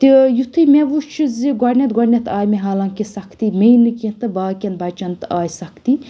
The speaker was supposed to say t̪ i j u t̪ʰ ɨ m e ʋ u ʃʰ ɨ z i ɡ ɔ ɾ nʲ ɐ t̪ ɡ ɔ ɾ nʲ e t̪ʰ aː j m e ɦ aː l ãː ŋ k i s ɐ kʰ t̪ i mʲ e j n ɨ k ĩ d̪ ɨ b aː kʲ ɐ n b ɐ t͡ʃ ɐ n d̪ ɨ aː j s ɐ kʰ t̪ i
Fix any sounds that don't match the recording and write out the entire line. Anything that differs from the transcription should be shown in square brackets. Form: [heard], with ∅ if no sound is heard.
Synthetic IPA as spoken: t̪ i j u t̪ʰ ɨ m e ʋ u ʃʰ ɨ z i ɡ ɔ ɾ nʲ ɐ t̪ ɡ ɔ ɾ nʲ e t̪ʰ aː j m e ɦ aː l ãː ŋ k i s ɐ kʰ t̪ i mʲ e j n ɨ k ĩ [t̪] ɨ b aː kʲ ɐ n b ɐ t͡ʃ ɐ n [t̪] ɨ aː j s ɐ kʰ t̪ i